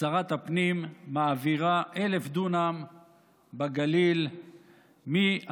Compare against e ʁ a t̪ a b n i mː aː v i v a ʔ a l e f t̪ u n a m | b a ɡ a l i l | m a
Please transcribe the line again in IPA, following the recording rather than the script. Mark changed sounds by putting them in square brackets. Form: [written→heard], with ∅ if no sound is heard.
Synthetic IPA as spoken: [e→a] ʁ a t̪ a [b→p] n i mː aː v i [v→ʁ] a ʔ [a→e] l e f [t̪→d̪] u n a m | b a ɡ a l i l | m [a→i]